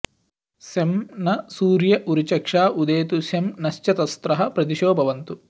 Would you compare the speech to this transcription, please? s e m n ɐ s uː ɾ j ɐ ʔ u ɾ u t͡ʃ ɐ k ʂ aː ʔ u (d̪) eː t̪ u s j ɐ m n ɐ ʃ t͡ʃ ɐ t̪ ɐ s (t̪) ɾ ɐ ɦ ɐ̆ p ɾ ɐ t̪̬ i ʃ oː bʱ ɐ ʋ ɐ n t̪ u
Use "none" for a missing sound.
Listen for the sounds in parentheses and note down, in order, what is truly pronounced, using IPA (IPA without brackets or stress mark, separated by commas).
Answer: d̪, t̪